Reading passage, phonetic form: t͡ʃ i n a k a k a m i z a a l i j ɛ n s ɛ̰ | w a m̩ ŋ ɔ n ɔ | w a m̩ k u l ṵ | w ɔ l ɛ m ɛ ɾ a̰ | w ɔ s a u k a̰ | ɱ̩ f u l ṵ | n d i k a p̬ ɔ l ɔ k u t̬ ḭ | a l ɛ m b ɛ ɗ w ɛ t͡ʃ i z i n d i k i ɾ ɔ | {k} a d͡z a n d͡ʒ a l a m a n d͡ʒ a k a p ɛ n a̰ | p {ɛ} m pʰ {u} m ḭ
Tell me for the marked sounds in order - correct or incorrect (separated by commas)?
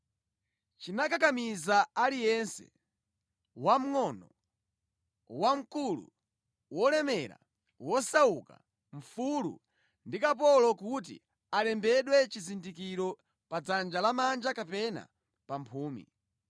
incorrect, incorrect, incorrect